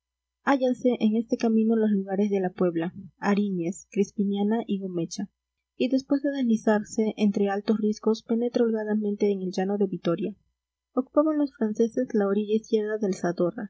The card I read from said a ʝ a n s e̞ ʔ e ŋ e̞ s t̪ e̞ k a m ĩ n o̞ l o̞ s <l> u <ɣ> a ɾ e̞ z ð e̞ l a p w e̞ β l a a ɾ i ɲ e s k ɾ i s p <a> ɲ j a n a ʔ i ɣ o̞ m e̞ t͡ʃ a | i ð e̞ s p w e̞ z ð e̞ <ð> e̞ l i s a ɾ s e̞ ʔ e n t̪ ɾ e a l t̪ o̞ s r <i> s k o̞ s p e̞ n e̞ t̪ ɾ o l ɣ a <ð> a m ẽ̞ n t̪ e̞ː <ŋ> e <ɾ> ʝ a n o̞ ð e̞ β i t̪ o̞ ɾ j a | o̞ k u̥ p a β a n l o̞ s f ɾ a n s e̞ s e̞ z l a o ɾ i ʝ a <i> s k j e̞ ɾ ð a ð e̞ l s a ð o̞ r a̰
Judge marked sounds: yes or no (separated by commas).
yes, yes, no, yes, yes, yes, yes, no, yes